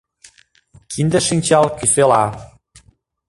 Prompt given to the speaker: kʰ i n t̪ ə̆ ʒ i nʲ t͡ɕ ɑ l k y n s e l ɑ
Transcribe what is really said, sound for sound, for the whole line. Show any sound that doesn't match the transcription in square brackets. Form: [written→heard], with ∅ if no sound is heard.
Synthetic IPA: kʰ i n [t̪→d̪] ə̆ [ʒ→ʃ] i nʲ t͡ɕ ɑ l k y [n→∅] s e l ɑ